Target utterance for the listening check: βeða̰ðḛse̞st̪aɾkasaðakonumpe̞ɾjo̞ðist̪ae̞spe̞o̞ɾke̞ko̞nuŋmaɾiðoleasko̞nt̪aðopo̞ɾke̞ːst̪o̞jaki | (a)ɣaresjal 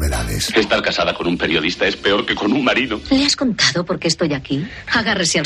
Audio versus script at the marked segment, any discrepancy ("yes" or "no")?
no